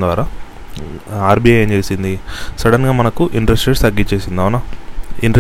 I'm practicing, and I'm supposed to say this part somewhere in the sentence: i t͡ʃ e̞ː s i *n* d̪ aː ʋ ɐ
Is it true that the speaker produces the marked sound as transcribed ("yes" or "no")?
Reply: yes